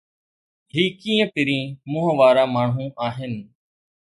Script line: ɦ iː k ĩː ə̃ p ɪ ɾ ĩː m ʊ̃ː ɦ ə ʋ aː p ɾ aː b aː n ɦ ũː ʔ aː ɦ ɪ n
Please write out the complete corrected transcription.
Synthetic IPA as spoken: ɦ iː k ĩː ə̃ p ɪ ɾ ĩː m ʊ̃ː ɦ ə ʋ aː ɾ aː m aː ɳ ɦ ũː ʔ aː ɦ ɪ n